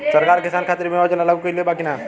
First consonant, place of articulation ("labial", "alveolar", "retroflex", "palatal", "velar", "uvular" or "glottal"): alveolar